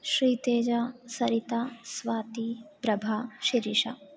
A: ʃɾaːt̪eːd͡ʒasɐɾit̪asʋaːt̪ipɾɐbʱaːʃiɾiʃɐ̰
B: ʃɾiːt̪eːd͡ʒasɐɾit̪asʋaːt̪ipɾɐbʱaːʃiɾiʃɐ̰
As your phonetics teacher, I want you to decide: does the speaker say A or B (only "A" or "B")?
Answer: B